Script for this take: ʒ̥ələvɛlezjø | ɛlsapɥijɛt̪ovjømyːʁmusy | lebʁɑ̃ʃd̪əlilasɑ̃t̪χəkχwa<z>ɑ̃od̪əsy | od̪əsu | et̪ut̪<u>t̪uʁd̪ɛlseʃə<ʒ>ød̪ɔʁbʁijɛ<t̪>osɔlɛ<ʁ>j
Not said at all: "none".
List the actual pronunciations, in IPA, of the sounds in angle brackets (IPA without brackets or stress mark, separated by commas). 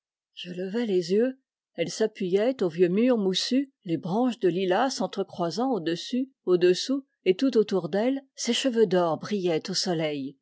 z, o, v, t̪, none